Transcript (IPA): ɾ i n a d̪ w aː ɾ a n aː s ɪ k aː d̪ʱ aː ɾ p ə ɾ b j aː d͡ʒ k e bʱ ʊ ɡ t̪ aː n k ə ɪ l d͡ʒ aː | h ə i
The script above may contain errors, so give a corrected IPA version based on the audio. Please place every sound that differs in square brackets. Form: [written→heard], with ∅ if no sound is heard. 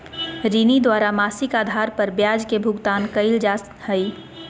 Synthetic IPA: ɾ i n [a→i] d̪ w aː ɾ a [n→m] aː s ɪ k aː d̪ʱ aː ɾ p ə ɾ b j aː d͡ʒ k e bʱ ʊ ɡ t̪ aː n k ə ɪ l d͡ʒ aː | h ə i